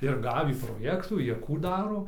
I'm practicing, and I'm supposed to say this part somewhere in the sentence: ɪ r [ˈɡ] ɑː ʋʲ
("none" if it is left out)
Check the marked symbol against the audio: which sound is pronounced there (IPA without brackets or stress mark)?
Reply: ɡ